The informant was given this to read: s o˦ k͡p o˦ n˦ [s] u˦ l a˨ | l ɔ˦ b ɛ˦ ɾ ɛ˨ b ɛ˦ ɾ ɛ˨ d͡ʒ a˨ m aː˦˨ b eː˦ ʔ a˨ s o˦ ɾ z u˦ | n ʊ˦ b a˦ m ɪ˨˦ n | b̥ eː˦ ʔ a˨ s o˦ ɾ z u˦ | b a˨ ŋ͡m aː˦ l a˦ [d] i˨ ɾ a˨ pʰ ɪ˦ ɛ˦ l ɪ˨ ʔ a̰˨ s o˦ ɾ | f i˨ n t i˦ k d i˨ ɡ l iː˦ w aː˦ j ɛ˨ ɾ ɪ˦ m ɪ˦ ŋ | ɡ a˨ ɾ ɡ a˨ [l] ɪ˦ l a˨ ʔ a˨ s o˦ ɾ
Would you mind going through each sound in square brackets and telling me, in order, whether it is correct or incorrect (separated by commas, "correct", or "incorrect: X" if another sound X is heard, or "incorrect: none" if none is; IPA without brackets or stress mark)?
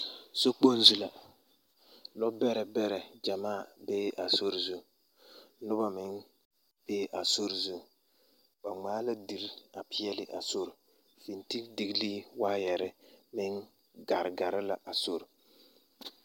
incorrect: z, correct, incorrect: ɾ